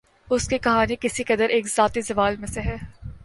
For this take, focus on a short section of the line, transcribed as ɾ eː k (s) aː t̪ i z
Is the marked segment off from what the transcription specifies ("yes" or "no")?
yes